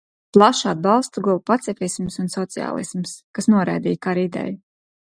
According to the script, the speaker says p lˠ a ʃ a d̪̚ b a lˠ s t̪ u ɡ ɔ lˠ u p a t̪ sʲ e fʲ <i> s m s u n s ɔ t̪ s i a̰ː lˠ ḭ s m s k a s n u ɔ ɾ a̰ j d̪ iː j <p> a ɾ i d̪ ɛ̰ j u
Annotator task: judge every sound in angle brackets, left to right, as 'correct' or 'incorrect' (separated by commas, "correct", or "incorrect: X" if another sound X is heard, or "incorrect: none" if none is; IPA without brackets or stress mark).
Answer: correct, incorrect: k